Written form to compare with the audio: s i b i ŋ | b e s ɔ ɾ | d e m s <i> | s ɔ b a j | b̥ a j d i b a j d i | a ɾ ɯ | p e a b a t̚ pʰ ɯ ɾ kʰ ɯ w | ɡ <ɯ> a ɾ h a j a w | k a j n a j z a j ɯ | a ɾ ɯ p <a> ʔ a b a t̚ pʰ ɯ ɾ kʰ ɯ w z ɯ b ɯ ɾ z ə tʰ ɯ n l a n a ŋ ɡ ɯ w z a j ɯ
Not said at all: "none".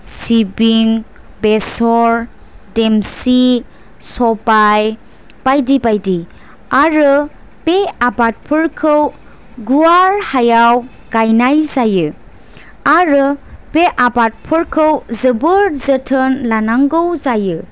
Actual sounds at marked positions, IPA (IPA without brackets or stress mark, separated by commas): i, u, e